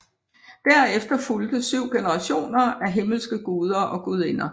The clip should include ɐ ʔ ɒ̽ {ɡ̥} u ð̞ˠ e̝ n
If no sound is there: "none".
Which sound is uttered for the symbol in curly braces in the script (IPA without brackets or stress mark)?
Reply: ɡ̥